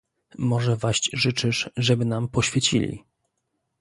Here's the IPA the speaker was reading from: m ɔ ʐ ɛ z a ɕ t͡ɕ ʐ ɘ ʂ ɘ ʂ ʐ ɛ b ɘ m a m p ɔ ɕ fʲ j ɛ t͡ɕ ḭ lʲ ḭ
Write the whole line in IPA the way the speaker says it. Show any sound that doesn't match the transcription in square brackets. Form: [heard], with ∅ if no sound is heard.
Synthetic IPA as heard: m ɔ ʐ ɛ [v] a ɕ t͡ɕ ʐ ɘ [t͡ʂ] ɘ ʂ ʐ ɛ b ɘ [n] a m p ɔ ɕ fʲ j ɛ t͡ɕ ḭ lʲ ḭ